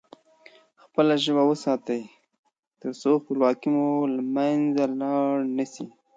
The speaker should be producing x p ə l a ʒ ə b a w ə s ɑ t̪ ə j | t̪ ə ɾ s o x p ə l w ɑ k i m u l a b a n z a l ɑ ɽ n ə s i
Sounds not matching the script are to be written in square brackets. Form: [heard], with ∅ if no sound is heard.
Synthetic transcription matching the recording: x p ə l a ʒ ə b a w ə s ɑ t̪ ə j | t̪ ə ɾ s o x p ə l w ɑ k i m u l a [m] a n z a l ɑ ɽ n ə s i